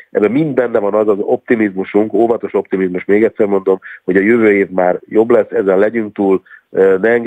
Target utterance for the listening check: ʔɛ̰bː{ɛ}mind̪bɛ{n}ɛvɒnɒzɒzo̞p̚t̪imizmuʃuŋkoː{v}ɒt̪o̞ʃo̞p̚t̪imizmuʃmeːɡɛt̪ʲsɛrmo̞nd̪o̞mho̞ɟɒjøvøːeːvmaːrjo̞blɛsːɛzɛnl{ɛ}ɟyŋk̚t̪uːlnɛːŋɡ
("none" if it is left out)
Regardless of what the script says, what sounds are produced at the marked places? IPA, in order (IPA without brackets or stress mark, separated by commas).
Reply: ɛ, nː, v, ɛ